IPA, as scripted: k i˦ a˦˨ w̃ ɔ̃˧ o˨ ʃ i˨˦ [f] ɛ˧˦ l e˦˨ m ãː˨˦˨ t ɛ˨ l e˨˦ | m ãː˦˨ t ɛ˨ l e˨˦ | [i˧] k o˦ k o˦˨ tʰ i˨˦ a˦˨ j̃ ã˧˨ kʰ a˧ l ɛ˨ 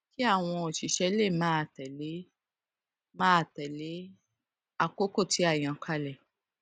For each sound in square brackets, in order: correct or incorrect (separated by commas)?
incorrect, incorrect